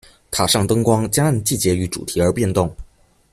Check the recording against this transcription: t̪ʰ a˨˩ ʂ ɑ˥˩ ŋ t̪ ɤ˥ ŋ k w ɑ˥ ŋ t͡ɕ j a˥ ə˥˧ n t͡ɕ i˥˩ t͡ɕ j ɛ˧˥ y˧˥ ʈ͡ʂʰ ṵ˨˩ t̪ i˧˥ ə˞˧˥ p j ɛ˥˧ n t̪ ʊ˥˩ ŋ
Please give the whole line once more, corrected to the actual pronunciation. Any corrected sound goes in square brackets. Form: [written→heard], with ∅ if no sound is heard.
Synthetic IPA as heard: t̪ʰ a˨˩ ʂ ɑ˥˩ ŋ t̪ ɤ˥ ŋ k w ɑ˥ ŋ t͡ɕ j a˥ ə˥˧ n t͡ɕ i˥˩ t͡ɕ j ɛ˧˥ y˧˥ [ʈ͡ʂʰ→ʈ͡ʂ] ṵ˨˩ [t̪→t̪ʰ] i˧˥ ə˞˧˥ p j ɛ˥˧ n t̪ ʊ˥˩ ŋ